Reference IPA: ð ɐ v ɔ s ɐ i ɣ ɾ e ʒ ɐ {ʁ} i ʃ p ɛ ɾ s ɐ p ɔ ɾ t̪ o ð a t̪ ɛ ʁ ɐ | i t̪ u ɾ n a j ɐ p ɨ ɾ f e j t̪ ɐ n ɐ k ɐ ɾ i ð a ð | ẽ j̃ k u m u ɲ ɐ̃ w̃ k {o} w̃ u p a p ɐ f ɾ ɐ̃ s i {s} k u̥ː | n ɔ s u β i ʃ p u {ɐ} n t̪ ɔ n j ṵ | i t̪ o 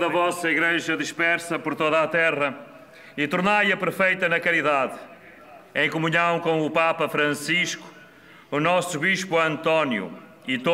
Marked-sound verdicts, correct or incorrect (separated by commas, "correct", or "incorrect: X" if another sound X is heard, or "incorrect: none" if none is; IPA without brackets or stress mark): incorrect: ð, incorrect: õ, incorrect: ʃ, incorrect: ɐ̃